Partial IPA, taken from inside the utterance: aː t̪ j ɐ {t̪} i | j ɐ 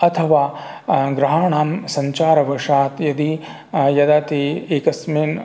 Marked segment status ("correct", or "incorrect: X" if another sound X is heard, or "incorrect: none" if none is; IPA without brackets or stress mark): incorrect: d̪